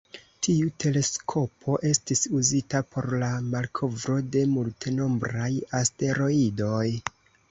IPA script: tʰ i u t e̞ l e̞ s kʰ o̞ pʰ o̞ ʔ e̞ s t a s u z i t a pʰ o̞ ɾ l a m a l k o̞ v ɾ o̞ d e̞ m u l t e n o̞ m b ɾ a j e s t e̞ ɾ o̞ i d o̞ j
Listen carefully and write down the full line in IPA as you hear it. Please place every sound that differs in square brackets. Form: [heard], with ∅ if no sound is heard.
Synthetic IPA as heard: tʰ i u t e̞ l e̞ s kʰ o̞ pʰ o̞ ʔ e̞ s t [i] s u z i t a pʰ o̞ ɾ l a m a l [kʰ] o̞ v ɾ o̞ d e̞ m u l t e n o̞ m b ɾ a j [a] s t e̞ ɾ o̞ i d o̞ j